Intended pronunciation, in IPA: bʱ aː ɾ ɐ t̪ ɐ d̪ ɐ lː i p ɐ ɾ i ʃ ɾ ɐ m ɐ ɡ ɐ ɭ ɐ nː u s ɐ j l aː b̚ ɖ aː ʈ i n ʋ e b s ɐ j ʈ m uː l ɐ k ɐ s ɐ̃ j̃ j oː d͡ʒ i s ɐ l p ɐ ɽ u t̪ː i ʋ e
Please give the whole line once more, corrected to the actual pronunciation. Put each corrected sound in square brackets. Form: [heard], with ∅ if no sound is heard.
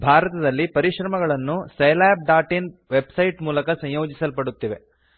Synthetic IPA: bʱ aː ɾ ɐ t̪ ɐ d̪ ɐ lː i p ɐ ɾ i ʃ ɾ ɐ m ɐ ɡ ɐ ɭ ɐ nː u s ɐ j l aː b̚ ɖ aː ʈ i n ʋ e b s ɐ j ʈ m uː l ɐ k ɐ s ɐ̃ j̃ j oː d͡ʒ i s ɐ l p ɐ ɽ u t̪ː i ʋ e

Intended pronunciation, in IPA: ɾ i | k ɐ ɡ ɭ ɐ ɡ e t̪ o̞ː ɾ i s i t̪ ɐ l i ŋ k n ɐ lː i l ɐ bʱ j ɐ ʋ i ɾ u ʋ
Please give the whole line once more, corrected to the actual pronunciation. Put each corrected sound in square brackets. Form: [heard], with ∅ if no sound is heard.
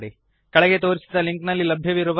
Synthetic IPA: [ɽ] i | k ɐ [∅] ɭ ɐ ɡ e t̪ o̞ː ɾ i s i [d̪] ɐ l i ŋ k n ɐ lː i l ɐ bʱ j ɐ ʋ i ɾ u ʋ

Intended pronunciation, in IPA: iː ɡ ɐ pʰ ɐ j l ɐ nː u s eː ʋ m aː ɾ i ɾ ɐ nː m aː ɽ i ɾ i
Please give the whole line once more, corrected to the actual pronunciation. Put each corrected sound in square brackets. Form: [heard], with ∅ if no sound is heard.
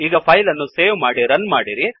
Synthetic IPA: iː ɡ ɐ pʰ ɐ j l ɐ nː u s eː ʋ m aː [ɽ] i ɾ ɐ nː m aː ɽ i ɾ i

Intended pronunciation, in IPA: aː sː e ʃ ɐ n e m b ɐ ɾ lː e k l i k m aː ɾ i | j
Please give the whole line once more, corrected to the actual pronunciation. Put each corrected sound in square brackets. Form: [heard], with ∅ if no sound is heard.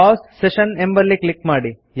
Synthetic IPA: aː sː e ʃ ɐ n e m b ɐ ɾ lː [i] k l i k m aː [ɽ] i | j

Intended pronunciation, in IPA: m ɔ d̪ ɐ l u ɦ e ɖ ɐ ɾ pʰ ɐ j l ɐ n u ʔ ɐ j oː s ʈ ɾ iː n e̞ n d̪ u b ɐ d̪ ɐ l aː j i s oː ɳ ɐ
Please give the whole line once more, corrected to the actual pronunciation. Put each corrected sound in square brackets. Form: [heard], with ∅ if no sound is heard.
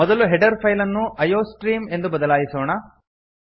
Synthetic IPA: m ɔ d̪ ɐ l u ɦ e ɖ ɐ ɾ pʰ ɐ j l ɐ [nː] u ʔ ɐ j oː s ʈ ɾ iː [m] e̞ n d̪ u b ɐ d̪ ɐ l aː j i s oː ɳ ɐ

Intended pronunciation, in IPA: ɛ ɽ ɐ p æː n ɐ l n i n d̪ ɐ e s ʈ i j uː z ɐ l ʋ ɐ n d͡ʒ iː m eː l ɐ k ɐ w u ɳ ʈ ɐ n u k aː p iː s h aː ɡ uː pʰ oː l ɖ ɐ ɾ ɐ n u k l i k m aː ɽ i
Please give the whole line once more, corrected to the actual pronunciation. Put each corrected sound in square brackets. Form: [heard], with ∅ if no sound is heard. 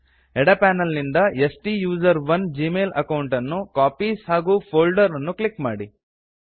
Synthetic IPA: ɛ ɽ ɐ p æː n ɐ l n i n d̪ ɐ e s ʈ i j uː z ɐ [ɾ] ʋ ɐ n d͡ʒ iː m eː l ɐ k ɐ w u ɳ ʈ ɐ [nː] u k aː p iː s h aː ɡ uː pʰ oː l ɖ ɐ ɾ ɐ [nː] u k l i k m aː ɽ i

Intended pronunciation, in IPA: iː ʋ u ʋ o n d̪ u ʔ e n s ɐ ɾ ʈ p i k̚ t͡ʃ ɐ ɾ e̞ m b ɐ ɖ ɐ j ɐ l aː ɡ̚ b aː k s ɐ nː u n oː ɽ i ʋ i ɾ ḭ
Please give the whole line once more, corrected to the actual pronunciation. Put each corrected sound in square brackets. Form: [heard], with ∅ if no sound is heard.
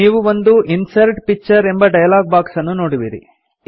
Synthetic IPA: iː ʋ u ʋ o n d̪ u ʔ [i] n s ɐ ɾ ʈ p i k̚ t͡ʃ ɐ ɾ e̞ m b ɐ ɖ ɐ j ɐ l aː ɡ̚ b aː k s ɐ nː u n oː ɽ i ʋ i ɾ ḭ

